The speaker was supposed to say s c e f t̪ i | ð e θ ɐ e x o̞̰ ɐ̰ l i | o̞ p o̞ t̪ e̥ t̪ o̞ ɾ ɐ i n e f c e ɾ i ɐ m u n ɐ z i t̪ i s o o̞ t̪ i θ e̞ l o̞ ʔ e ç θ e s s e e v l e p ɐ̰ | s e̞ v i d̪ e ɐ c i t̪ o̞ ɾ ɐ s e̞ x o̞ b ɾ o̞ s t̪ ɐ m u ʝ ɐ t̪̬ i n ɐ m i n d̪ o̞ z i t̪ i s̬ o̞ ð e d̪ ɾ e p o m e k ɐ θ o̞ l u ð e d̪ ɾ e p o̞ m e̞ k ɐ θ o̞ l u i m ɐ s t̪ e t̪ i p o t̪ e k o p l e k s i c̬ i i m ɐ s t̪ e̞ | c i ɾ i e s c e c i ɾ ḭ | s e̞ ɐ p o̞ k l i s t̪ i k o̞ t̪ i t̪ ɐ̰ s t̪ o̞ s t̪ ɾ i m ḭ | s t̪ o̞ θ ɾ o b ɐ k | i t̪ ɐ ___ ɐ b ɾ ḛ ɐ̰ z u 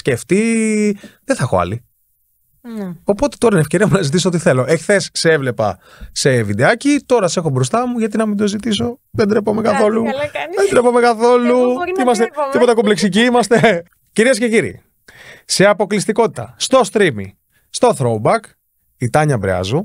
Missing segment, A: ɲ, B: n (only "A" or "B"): A